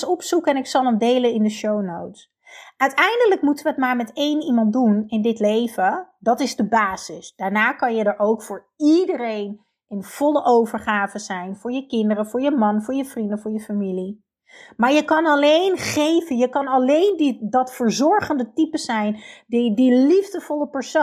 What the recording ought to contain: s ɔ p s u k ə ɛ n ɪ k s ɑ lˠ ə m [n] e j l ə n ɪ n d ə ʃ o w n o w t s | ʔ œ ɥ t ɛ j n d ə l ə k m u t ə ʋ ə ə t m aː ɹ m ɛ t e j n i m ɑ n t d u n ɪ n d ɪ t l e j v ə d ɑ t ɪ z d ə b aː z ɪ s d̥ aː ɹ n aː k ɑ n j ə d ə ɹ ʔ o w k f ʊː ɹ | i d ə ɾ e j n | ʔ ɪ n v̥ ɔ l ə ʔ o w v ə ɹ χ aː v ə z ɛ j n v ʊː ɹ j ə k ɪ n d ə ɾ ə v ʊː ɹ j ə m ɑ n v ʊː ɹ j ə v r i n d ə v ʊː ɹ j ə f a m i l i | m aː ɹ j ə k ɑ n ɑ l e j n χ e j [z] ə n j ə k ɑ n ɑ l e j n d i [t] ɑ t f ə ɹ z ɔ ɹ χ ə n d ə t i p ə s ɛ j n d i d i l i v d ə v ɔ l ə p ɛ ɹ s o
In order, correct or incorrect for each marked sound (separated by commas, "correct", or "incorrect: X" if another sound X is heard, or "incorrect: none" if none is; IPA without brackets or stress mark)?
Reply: incorrect: d, incorrect: v, incorrect: d